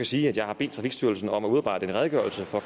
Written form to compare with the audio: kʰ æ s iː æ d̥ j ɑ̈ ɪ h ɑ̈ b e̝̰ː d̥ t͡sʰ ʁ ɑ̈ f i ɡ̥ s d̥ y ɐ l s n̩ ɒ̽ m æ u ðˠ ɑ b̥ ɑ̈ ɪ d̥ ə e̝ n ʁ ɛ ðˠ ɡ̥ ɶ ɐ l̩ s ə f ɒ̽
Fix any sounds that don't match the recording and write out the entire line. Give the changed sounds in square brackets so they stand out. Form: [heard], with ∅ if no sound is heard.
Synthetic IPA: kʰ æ s iː æ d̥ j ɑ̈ ɪ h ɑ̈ b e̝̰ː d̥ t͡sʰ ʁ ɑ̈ f i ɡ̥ s d̥ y ɐ l s n̩ ɒ̽ m æ u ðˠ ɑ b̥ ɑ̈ ɪ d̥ ə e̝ n ʁ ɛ ðˠ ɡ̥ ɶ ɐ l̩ s ə f ɒ̽